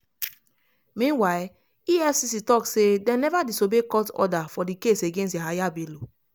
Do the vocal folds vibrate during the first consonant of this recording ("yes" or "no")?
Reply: yes